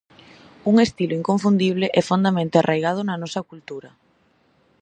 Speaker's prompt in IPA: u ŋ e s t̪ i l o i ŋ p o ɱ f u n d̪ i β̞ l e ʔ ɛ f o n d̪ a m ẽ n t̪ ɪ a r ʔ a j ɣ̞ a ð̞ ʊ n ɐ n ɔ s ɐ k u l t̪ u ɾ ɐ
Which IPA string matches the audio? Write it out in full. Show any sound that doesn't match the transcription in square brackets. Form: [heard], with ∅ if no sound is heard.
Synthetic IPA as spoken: u ŋ e s t̪ i l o i ŋ [k] o ɱ f u n d̪ i β̞ l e ʔ ɛ f o n d̪ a m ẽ n t̪ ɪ a r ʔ a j ɣ̞ a ð̞ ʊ n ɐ n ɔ s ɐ k u l t̪ u ɾ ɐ